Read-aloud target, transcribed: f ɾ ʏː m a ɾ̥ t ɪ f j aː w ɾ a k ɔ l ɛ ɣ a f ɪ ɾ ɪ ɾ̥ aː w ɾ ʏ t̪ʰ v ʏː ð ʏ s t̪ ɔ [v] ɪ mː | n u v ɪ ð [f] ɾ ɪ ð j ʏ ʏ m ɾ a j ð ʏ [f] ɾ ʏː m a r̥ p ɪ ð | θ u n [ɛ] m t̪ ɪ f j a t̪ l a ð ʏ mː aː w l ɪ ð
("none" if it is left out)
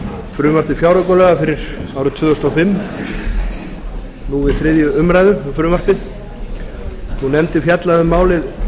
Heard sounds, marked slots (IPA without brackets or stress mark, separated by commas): f, θ, f, ɛ